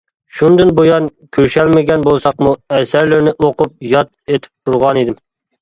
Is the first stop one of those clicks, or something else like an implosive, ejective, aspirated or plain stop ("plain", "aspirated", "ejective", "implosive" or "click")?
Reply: plain